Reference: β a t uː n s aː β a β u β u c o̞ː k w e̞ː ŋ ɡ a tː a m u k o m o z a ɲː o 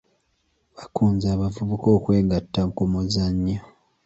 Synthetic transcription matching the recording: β a k uː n z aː β a v u β u k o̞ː k w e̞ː ŋ ɡ a tː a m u k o m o z a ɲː o

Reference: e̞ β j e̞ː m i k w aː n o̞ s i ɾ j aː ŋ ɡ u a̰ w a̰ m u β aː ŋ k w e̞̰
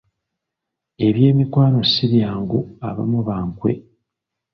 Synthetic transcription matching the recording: e̞ β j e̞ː m i k w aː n o̞ s i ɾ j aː ŋ ɡ u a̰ β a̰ m u β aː ŋ k w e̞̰

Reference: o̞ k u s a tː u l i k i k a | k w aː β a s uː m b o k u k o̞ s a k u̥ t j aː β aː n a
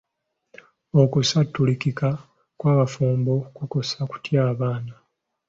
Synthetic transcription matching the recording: o̞ k u s a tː u l i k i k a | k w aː β a f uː m b o k u k o̞ s a k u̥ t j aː β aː n a

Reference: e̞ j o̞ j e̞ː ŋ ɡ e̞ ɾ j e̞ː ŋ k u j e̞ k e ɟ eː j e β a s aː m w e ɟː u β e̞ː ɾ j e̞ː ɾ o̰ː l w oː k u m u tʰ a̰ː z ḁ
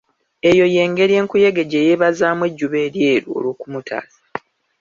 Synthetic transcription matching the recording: e̞ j o̞ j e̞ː ŋ ɡ e̞ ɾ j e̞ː ŋ k u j e̞ ɡ e ɟ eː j e β a z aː m w e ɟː u β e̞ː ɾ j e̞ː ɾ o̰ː l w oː k u m u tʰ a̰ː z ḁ

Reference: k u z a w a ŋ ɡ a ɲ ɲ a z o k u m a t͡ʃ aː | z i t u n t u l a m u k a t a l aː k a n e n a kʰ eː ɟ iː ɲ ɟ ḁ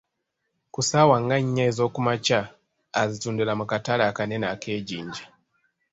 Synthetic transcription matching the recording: k u s a w a ŋ ɡ a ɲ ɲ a z o k u m a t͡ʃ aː | z i t u n d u l a m u k a t a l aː k a n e n a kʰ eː ɟ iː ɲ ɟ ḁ

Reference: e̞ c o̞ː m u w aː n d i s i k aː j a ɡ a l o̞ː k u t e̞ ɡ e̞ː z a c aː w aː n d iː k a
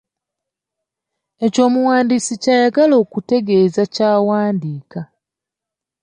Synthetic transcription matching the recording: e̞ c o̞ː m u w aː n d i s i c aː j a ɡ a l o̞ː k u t e̞ ɡ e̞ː z a c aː w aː n d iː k a

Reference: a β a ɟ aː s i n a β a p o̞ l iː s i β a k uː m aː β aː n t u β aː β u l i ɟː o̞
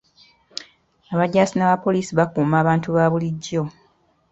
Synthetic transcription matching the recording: a β a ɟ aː s i n a β a p o̞ l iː s i β a k uː m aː β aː n t u β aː β u l i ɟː o̞

